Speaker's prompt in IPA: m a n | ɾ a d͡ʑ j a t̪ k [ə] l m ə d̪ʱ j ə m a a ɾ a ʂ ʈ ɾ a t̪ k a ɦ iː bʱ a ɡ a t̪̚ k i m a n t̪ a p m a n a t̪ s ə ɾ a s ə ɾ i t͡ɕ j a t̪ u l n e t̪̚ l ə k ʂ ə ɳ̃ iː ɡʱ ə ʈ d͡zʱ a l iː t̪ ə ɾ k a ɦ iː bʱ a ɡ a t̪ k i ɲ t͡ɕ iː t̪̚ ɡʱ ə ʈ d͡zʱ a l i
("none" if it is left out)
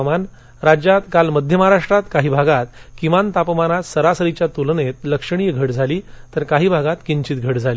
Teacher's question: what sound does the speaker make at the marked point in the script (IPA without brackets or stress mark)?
a